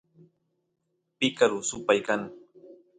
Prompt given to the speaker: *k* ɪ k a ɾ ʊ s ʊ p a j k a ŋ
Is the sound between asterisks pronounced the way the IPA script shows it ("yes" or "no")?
no